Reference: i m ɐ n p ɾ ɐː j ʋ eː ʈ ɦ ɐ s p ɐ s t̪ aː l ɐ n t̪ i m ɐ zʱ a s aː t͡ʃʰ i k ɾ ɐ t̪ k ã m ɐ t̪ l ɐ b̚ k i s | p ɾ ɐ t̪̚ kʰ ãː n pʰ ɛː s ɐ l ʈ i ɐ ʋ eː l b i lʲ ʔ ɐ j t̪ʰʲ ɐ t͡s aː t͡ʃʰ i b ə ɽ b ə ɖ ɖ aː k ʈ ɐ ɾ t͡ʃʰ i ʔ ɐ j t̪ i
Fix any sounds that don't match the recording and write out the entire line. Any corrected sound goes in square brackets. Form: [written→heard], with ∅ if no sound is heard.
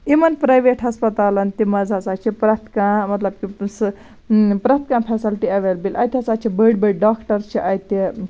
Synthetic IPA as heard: i m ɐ n p ɾ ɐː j ʋ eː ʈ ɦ ɐ s p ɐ [s→∅] t̪ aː l ɐ n t̪ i m ɐ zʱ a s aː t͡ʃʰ i [k→p] ɾ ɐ t̪ k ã m ɐ t̪ l ɐ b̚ k i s | p ɾ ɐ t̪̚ [kʰ→k] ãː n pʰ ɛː s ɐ l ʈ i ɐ ʋ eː l b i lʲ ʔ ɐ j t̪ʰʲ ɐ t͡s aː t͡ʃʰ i b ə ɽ b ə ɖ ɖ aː k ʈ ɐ ɾ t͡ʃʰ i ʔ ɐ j t̪ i